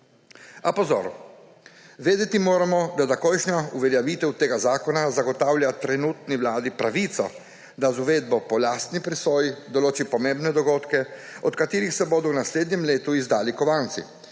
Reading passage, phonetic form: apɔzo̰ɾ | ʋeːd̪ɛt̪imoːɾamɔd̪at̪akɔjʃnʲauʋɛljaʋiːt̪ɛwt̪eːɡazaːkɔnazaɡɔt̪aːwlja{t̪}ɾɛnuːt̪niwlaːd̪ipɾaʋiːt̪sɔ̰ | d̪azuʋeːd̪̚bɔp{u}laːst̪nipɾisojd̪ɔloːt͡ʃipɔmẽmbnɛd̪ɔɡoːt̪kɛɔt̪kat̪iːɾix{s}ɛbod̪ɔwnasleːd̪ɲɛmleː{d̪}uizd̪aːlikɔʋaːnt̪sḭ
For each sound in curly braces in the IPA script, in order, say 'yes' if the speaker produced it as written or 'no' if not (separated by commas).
yes, no, yes, no